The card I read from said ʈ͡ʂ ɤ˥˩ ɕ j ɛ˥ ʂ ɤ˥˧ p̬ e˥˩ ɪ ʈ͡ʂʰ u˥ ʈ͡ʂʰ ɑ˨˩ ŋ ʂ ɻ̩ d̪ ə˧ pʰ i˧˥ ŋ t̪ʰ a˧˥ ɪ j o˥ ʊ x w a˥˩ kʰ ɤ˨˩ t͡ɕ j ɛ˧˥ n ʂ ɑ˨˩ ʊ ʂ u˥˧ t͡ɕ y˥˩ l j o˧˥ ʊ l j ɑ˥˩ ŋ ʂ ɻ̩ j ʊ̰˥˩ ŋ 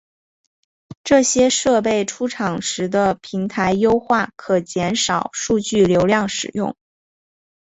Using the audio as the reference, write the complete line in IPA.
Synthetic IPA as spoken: ʈ͡ʂ ɤ˥˩ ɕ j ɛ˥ ʂ ɤ˥˧ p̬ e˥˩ ɪ ʈ͡ʂʰ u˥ ʈ͡ʂʰ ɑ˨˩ ŋ ʂ ɻ̩ d̪ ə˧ pʰ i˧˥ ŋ t̪ʰ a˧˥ ɪ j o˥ ʊ x w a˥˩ kʰ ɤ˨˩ t͡ɕ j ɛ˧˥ n ʂ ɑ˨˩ ʊ ʂ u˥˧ t͡ɕ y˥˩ l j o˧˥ ʊ l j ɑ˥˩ ŋ ʂ ɻ̩ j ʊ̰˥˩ ŋ